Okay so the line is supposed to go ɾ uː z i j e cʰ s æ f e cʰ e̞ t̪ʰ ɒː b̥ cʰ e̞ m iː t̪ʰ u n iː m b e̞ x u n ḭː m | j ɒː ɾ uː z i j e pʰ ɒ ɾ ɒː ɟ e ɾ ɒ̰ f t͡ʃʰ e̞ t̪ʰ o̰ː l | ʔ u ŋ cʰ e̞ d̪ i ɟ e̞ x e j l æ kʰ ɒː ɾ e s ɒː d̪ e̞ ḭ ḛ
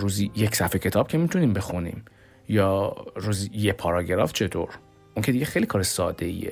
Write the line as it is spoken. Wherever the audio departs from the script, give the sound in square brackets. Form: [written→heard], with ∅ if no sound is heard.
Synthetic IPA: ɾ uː z i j e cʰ s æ f e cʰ e̞ t̪ʰ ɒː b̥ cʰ e̞ m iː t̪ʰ u n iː m b e̞ x u n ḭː m | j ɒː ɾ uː z i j e pʰ ɒ ɾ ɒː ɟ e ɾ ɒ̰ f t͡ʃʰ e̞ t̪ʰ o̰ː [l→ɾ] | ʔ u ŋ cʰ e̞ d̪ i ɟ e̞ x e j l [æ→i] kʰ ɒː ɾ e s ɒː d̪ e̞ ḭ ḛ